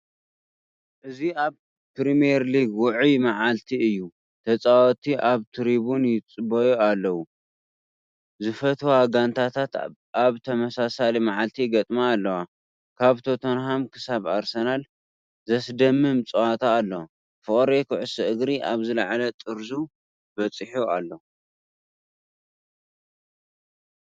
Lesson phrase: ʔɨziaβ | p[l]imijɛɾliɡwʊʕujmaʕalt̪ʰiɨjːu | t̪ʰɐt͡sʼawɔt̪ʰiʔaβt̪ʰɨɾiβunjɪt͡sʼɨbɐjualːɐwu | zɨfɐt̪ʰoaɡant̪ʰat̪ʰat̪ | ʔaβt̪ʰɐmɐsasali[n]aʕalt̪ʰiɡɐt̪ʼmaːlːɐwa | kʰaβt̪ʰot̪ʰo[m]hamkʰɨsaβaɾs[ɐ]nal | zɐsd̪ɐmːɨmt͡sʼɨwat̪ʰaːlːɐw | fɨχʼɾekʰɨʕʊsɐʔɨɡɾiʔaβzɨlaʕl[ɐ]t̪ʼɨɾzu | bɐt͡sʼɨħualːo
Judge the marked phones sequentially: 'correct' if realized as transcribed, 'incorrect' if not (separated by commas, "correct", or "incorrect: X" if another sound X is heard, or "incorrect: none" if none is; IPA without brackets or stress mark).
incorrect: ɾ, incorrect: m, incorrect: n, correct, correct